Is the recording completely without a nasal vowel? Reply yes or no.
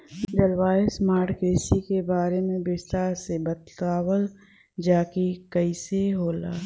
no